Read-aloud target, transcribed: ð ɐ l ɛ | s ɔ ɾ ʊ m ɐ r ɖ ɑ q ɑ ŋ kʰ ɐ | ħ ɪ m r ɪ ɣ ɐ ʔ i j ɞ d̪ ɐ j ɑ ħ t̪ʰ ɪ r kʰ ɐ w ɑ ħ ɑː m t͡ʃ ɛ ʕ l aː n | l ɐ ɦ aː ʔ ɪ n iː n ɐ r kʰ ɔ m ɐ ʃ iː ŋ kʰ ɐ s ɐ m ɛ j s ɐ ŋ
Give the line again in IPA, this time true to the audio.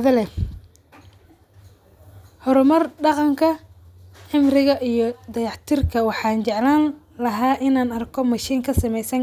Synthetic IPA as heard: ð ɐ l ɛ | h ɔ ɾ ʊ m ɐ r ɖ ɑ q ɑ ŋ kʰ ɐ | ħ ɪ m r ɪ ɣ ɐ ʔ i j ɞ d̪ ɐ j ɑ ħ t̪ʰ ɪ r kʰ ɐ w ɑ ħ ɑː n t͡ʃ ɛ ʕ l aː n | l ɐ ɦ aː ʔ ɪ n aː n ɐ r kʰ ɔ m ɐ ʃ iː ŋ kʰ ɐ s ɐ m ɛ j s ɐ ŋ

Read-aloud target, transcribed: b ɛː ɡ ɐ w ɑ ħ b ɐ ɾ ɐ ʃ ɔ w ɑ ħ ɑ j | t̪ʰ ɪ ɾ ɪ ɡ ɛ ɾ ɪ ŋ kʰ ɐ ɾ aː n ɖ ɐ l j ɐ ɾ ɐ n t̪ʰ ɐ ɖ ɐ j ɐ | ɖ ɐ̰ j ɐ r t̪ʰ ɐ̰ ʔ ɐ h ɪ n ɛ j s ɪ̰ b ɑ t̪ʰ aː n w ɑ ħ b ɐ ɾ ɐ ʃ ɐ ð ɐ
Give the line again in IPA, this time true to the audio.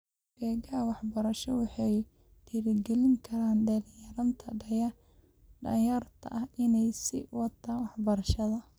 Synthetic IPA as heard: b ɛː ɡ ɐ w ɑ ħ b ɐ ɾ ɐ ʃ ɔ w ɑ ħ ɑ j | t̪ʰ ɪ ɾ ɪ ɡ ɛ l ɪ ŋ kʰ ɐ ɾ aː n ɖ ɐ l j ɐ ɾ ɐ n t̪ʰ ɐ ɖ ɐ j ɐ | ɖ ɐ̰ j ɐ r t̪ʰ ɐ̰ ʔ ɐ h ɪ n ɛ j s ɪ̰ w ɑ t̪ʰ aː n w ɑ ħ b ɐ ɾ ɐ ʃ ɐ ð ɐ

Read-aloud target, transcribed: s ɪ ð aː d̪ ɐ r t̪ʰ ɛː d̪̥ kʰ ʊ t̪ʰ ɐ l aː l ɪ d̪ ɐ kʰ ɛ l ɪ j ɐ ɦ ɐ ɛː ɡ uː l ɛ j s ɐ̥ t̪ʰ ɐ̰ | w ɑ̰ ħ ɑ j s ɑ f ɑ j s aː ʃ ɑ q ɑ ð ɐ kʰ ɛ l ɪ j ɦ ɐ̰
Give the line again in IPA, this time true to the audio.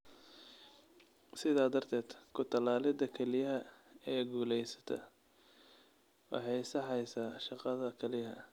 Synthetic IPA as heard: s ɪ ð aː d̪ ɐ r t̪ʰ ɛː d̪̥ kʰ ʊ t̪ʰ ɐ l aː l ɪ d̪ ɐ kʰ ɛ l ɪ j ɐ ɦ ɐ ɛː ɡ uː l ɛ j s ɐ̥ t̪ʰ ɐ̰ | w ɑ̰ ħ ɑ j s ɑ ħ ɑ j s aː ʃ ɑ q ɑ ð ɐ kʰ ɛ l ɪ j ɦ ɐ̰

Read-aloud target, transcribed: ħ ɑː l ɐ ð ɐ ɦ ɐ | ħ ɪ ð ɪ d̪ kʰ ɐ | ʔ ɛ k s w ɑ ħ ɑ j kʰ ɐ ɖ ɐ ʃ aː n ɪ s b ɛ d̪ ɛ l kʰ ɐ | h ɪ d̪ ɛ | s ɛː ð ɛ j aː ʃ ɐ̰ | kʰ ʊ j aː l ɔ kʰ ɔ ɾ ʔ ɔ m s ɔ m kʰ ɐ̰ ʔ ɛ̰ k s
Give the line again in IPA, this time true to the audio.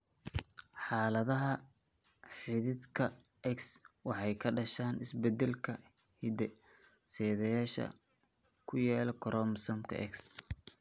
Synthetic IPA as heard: ħ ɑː l ɐ ð ɐ ɦ ɐ | ħ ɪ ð ɪ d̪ kʰ ɐ | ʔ ɛ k s w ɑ ħ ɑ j kʰ ɐ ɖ ɐ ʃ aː n ɪ s b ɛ d̪ ɛ l kʰ ɐ | h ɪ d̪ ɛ | s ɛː ð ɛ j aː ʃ ɐ̰ | kʰ ʊ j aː l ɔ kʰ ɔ ɾ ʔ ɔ m s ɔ m kʰ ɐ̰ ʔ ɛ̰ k s

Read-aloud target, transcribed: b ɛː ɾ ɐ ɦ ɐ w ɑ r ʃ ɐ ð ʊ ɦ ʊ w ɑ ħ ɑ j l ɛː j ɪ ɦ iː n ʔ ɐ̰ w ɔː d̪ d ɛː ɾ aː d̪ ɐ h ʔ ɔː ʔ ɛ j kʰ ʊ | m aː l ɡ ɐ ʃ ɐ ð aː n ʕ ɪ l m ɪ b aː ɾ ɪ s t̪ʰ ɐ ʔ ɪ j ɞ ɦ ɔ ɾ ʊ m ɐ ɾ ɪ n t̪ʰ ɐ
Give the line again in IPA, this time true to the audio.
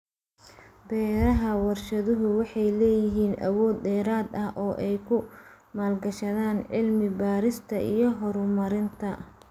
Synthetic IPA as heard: b ɛː ɾ ɐ ɦ ɐ w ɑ r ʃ ɐ ð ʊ ɦ ʊ w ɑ ħ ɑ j l ɛː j ɪ ɦ iː n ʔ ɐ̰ w ɔː d̪ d ɛː ɾ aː d̪ ɐ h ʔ ɔː ʔ ɛ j kʰ ʊ | m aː l ɡ ɐ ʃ ɐ ð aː n ʕ ɪ l m ɪ b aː ɾ ɪ s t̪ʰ ɐ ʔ i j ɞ ɦ ɔ ɾ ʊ m ɐ ɾ ɪ n t̪ʰ ɐ

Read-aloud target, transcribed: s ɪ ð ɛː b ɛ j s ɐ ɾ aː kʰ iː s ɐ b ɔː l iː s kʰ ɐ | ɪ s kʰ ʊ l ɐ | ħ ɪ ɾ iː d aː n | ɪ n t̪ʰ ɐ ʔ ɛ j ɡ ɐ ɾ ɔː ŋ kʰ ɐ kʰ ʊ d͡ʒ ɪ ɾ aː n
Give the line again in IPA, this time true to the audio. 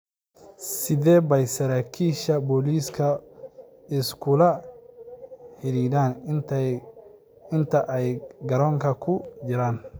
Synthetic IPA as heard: s ɪ ð ɛː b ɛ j s ɐ ɾ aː kʰ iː ʃ ɐ b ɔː l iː s kʰ ɐ | ɪ s kʰ ʊ l ɐ | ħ ɪ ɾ iː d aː n | ɪ n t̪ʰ ɐ ʔ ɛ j ɡ ɐ ɾ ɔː ŋ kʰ ɐ kʰ ʊ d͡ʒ ɪ ɾ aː n

